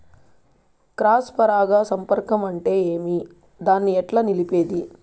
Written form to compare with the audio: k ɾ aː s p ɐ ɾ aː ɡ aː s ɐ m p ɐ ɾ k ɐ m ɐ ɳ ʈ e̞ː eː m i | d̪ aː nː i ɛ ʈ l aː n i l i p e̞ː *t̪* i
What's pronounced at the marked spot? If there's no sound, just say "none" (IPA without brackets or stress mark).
d̪